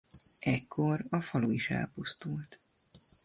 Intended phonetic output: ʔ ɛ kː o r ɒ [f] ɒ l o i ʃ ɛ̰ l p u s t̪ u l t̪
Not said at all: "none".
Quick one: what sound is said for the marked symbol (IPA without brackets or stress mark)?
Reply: f